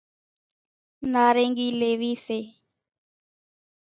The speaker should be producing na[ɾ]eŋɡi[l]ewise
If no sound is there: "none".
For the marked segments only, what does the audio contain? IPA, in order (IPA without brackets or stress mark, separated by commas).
ɾ, l